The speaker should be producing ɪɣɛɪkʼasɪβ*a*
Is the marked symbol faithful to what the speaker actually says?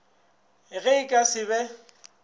no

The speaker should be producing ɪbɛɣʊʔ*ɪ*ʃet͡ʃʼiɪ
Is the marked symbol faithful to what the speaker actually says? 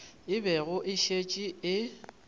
yes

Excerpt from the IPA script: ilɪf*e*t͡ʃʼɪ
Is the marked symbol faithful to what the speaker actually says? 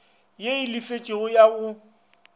yes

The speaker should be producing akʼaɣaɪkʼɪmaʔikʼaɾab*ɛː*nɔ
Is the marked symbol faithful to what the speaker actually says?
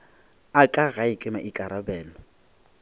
yes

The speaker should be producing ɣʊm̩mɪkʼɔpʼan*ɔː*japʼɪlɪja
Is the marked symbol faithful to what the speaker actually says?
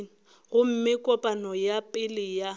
no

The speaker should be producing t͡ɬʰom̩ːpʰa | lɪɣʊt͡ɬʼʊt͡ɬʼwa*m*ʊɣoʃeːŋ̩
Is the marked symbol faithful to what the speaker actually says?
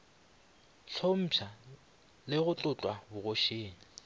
no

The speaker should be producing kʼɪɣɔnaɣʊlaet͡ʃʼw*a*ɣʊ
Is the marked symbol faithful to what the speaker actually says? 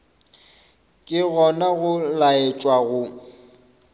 yes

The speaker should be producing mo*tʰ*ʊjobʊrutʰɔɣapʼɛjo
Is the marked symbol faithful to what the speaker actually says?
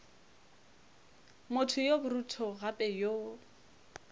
yes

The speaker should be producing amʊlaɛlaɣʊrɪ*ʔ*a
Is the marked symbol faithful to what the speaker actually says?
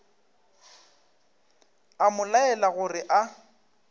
yes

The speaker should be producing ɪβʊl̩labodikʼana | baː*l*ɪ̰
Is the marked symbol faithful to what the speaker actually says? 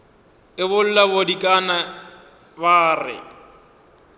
no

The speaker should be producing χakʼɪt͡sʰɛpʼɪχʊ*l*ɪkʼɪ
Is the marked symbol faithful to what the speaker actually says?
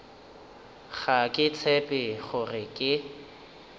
no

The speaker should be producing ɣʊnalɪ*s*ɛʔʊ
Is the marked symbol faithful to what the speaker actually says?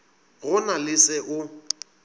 yes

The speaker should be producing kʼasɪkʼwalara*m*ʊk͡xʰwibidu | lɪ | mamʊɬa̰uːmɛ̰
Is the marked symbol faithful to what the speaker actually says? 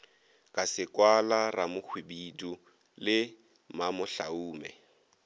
yes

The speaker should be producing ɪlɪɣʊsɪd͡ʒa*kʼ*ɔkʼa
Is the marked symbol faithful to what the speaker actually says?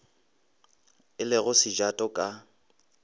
no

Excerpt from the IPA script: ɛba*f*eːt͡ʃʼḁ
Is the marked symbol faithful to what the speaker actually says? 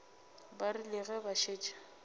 no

